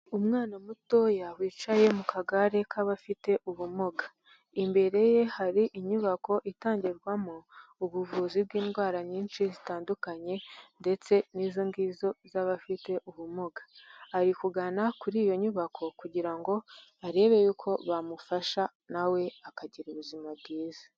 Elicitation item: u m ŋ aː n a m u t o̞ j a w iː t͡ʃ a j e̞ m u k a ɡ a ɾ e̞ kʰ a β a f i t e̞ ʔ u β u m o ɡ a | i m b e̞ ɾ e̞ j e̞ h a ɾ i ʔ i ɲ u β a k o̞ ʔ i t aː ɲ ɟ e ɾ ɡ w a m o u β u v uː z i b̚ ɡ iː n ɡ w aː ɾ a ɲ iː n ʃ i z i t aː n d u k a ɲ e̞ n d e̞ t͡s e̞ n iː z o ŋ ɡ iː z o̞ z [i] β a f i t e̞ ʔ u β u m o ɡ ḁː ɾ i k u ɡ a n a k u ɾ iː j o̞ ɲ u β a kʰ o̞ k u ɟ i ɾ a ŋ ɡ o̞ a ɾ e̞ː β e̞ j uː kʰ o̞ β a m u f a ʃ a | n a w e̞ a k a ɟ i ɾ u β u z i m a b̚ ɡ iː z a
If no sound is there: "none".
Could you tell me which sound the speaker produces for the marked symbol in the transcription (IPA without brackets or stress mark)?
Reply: a